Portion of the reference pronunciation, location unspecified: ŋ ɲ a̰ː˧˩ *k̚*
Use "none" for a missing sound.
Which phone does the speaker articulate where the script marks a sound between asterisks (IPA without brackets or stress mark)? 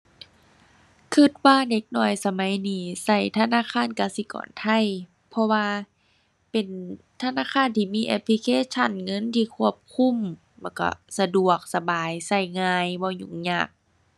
k̚